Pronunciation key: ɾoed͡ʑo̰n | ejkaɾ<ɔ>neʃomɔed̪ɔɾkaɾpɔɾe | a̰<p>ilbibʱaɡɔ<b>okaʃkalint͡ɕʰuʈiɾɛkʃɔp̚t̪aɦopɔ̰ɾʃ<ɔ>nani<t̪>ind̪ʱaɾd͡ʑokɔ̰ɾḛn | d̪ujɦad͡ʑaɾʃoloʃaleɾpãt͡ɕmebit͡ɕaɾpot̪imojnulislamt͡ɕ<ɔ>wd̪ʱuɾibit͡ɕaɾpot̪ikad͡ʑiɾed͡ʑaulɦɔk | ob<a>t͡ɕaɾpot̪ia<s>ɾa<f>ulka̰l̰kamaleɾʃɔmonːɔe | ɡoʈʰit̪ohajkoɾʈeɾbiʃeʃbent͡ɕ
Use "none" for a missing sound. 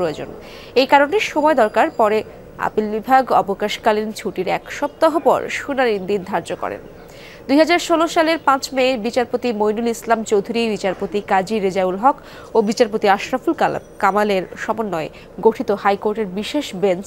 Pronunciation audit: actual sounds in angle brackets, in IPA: o, p, b, u, d̪, o, i, ʃ, f

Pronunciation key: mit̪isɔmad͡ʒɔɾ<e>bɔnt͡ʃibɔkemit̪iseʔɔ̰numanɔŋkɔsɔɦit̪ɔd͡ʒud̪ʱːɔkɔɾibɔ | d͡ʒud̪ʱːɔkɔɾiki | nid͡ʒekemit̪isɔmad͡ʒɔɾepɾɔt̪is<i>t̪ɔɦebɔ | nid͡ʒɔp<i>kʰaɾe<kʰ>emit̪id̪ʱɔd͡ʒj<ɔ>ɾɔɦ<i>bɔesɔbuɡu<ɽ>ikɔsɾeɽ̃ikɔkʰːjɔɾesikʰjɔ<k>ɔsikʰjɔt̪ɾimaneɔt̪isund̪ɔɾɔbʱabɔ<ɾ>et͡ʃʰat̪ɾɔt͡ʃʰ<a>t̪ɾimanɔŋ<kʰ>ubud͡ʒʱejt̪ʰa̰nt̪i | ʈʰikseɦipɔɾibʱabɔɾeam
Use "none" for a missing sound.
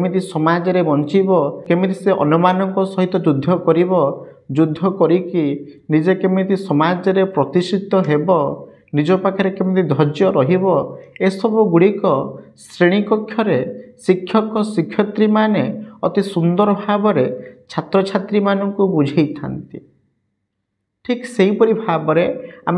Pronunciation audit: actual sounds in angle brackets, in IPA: e, i, a, k, ɔ, i, ɽ, k, ɾ, a, k

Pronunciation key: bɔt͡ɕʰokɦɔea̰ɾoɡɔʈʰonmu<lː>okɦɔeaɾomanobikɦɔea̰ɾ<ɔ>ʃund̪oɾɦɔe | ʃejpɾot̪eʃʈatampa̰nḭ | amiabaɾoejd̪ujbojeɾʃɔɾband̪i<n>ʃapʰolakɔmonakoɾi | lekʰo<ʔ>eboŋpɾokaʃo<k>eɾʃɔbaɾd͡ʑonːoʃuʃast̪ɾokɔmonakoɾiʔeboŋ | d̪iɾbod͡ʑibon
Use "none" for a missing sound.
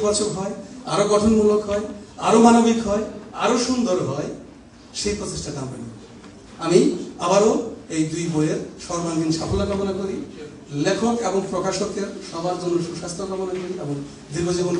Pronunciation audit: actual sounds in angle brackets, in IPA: l, o, n, k, k

